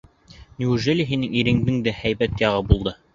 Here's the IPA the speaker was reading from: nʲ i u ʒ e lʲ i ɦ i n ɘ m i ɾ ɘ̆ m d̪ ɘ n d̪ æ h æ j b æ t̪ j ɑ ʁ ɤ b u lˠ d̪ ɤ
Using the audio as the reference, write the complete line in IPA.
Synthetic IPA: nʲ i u ʒ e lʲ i ɦ i n ɘ ŋ i ɾ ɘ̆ ŋ d̪ ɘ ŋ d̪ æ h æ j b æ t̪ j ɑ ʁ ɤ b u lˠ d̪ ɤ